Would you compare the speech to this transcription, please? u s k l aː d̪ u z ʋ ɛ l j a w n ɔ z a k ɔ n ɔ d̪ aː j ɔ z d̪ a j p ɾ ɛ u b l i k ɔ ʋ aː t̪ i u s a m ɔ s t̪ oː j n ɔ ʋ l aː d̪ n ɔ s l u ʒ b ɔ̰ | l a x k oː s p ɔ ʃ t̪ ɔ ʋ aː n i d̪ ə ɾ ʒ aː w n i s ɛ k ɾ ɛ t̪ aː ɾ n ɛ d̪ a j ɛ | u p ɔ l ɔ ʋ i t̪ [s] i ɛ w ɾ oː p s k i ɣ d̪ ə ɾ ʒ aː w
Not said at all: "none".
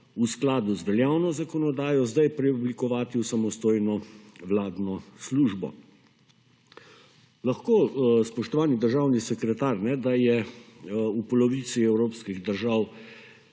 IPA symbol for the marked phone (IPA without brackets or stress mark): s